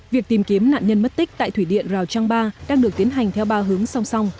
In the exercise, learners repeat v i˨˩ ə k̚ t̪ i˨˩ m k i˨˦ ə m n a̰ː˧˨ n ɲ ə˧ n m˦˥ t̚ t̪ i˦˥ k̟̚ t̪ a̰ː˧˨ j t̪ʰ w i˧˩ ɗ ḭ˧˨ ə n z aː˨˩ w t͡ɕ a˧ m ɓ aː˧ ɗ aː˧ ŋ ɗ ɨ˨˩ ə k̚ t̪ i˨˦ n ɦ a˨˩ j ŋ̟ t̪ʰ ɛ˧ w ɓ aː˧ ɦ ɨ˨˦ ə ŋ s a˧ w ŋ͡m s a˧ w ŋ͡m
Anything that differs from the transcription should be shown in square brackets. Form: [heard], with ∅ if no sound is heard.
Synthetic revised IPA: v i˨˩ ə k̚ t̪ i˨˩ m k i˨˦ ə m n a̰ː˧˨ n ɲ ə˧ n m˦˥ t̚ t̪ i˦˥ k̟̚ t̪ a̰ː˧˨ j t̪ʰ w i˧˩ ɗ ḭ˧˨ ə n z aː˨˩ w t͡ɕ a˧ [ŋ] ɓ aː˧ ɗ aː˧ ŋ ɗ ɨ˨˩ ə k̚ t̪ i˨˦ n ɦ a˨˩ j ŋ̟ t̪ʰ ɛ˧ w ɓ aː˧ ɦ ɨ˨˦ ə ŋ s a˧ w ŋ͡m s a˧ w ŋ͡m